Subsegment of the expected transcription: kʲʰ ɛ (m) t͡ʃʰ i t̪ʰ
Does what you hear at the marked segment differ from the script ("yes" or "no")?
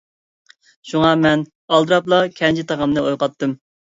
yes